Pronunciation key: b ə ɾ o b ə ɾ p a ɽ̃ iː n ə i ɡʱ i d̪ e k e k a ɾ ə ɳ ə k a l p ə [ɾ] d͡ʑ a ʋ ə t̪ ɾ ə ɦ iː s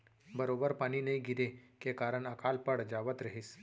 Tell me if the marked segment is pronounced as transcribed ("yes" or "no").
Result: no